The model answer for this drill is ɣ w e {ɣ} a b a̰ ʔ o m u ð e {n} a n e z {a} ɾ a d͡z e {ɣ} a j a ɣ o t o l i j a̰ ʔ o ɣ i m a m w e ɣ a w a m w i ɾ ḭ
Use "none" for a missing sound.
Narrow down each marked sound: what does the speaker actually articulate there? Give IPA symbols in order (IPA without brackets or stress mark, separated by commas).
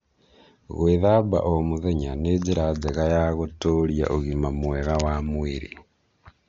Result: ð, ɲ, i, ɣ